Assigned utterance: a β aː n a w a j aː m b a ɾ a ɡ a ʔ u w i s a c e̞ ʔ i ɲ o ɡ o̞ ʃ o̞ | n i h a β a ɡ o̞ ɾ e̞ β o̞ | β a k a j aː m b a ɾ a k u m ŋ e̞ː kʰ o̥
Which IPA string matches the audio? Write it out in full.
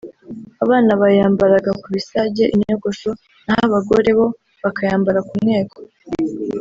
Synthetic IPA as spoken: a β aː n a β a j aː m b a ɾ a ɡ a k u β i s a ɟ e̞ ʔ i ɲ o ɡ o̞ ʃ o̞ | n a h a β a ɡ o̞ ɾ e̞ β o̞ | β a k a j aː m b a ɾ a k u m ŋ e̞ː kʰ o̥